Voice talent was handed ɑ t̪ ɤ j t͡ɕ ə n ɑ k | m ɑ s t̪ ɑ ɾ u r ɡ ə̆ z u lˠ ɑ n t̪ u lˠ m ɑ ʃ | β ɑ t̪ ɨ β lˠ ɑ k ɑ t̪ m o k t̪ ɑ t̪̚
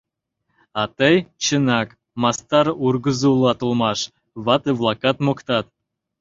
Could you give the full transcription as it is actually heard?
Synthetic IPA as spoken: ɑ t̪ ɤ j t͡ɕ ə n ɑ k | m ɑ s t̪ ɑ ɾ u r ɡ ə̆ z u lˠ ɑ t̪ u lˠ m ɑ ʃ | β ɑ t̪ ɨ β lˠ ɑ k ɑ t̪ m o k t̪ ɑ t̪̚